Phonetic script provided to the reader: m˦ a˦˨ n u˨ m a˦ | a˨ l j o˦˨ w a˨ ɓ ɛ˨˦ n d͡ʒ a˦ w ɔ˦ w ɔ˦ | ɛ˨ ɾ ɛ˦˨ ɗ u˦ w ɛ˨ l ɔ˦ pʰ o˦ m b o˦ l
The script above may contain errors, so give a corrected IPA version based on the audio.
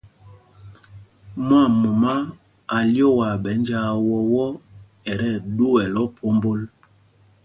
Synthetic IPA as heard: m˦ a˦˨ m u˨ m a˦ | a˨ l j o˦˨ w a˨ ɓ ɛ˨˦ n d͡ʒ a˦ w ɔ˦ w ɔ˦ | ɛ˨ ɾ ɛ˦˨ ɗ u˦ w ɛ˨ l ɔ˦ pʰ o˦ m b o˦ l